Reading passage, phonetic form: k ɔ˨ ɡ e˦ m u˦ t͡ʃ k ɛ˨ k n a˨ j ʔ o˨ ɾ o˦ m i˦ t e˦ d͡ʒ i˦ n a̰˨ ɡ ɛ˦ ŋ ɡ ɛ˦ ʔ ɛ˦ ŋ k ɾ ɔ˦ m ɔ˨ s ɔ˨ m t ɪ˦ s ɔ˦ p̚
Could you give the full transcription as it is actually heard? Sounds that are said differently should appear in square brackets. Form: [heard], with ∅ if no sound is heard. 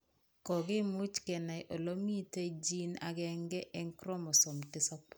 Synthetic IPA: k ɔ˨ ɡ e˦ m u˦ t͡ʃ k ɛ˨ [∅] n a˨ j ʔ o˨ [l] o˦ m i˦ t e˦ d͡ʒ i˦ n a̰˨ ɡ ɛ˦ ŋ ɡ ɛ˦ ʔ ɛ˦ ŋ k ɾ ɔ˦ m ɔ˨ s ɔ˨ m t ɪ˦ s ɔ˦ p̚